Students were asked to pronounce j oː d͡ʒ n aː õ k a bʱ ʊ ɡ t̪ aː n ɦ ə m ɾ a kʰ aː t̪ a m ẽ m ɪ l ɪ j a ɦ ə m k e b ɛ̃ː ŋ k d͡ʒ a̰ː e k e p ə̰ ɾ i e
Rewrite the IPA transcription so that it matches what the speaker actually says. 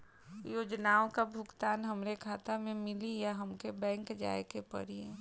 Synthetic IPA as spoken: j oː d͡ʒ n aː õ k a bʱ ʊ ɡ t̪ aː n ɦ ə m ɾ e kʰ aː t̪ a m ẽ m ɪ l i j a ɦ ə m k e b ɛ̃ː ŋ k d͡ʒ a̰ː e k e p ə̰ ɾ i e